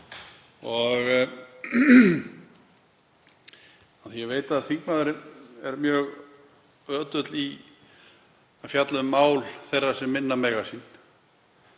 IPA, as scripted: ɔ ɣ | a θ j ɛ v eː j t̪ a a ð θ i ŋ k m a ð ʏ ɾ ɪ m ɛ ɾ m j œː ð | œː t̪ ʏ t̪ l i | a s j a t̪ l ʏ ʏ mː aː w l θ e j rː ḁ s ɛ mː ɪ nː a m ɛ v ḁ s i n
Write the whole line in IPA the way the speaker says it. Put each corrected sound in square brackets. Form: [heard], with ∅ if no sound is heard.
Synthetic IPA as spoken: ɔ ɣ | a θ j ɛ v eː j t̪ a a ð θ i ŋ k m a ð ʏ ɾ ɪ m ɛ ɾ m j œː [ɣ] | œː t̪ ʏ t̪ l i | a [f] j a t̪ l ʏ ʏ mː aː w l θ e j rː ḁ s ɛ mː ɪ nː a m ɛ [ɣ] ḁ s i n